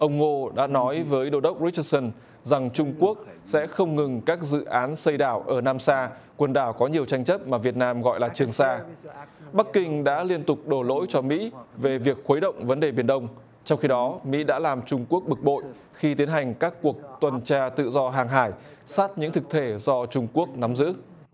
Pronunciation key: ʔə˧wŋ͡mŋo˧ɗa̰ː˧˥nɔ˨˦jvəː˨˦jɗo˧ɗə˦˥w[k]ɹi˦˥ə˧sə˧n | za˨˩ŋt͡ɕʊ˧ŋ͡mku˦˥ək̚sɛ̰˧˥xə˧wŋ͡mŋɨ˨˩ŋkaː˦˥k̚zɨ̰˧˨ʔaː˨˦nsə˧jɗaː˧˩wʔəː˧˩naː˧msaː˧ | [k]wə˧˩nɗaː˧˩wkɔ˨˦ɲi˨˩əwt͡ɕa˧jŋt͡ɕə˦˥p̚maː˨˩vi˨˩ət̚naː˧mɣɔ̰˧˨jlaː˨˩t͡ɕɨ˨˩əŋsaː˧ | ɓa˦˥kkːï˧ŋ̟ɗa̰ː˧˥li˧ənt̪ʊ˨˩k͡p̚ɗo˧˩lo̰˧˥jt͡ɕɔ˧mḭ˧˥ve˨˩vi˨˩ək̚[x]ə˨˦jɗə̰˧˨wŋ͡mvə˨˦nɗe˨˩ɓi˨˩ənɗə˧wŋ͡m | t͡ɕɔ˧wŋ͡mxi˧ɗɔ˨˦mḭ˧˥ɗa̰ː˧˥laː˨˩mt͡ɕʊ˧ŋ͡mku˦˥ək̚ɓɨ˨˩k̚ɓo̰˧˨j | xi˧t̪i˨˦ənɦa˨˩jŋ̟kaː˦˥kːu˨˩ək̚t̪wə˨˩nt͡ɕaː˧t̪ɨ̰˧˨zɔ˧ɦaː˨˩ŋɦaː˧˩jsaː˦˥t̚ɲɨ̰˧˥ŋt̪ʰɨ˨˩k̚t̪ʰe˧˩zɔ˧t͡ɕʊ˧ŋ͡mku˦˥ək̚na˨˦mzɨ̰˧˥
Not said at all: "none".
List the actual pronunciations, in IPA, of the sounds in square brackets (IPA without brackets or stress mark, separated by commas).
k͡p̚, k, x